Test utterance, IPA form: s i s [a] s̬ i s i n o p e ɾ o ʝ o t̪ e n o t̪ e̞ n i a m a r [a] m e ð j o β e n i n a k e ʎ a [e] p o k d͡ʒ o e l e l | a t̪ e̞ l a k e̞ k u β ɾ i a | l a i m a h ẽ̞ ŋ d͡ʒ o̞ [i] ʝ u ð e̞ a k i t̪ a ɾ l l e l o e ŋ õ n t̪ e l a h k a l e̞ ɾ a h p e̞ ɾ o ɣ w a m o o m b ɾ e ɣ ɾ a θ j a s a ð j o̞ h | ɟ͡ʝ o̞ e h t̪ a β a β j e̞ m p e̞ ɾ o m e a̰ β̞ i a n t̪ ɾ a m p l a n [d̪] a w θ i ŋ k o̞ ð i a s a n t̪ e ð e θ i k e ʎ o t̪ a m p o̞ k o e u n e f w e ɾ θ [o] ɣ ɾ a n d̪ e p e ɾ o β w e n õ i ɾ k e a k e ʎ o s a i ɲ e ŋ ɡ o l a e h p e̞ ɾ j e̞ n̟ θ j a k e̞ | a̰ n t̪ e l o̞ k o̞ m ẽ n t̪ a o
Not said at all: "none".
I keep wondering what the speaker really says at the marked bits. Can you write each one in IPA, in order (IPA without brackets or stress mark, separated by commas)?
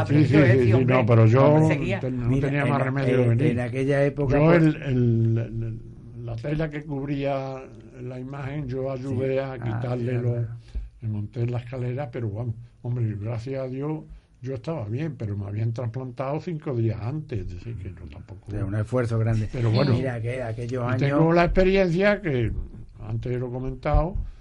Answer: i, e, e, a, t̪, o